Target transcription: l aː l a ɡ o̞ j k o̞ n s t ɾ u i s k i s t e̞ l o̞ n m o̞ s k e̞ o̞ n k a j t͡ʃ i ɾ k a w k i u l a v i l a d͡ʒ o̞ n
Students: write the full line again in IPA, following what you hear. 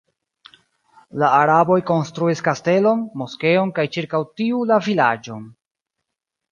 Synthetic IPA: l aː ɾ a b o̞ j k o̞ n s t ɾ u i s k a s t e̞ l o̞ n m o̞ s k e̞ o̞ n k a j t͡ʃ i ɾ k a w t i u l a v i l a d͡ʒ o̞ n